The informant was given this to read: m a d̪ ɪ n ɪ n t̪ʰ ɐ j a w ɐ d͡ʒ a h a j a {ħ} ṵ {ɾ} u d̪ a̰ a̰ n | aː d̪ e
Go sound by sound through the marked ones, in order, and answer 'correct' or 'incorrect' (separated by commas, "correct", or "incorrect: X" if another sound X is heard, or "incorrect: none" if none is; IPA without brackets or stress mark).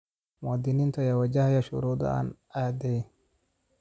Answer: incorrect: ʃ, correct